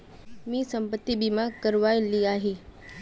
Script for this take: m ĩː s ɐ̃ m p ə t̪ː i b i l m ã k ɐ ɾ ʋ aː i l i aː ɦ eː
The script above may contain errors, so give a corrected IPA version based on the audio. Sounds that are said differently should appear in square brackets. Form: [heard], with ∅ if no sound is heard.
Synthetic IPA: m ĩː s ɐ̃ m p ə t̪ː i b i [∅] m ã k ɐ ɾ ʋ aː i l i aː ɦ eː